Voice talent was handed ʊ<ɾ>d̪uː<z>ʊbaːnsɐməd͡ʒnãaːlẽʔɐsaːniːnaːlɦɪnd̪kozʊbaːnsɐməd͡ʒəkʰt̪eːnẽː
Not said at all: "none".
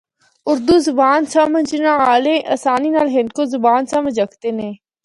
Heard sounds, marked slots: ɾ, z

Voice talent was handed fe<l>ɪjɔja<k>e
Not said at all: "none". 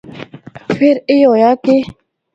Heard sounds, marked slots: ɾ, k

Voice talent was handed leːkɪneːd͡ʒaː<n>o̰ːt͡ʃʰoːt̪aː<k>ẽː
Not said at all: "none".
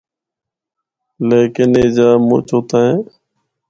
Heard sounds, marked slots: m, none

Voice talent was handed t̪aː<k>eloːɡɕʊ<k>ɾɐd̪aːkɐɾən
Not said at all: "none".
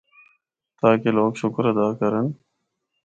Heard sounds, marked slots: k, k

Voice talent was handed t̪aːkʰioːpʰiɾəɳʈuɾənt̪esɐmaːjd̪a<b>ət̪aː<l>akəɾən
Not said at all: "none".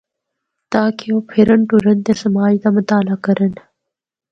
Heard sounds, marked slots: m, l

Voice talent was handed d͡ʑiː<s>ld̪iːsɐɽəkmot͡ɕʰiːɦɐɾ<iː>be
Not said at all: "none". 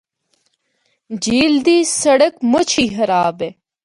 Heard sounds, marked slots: none, aː

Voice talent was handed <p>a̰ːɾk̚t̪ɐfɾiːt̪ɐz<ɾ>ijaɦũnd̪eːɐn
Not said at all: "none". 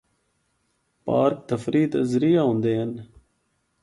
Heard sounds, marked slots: p, ɾ

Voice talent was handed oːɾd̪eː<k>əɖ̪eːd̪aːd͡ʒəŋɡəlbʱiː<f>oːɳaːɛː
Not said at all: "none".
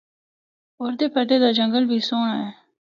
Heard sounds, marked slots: p, s

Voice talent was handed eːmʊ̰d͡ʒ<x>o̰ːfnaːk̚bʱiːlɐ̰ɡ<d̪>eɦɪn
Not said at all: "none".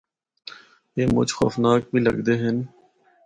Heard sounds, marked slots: x, d̪

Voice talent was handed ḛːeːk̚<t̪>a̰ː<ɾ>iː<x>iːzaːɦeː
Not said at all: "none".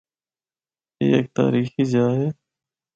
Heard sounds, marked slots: t̪, ɾ, x

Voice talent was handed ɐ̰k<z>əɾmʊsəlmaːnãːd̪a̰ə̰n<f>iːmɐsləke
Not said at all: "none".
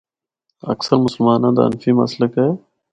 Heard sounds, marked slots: s, f

